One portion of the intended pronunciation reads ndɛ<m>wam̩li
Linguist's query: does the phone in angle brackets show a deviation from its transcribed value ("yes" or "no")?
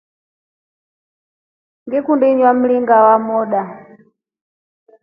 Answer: yes